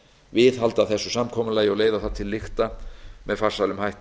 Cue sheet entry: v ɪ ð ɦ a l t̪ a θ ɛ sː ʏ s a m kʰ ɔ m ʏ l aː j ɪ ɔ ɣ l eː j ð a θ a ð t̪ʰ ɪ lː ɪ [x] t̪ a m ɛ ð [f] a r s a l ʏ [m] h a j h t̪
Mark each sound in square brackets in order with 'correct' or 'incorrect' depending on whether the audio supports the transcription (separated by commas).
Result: correct, correct, correct